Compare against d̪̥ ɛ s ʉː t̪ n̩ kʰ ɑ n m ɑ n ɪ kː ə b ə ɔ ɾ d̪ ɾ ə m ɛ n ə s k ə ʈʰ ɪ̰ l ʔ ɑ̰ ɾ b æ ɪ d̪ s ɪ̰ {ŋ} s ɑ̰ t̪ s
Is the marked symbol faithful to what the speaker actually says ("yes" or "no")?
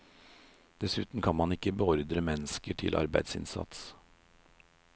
no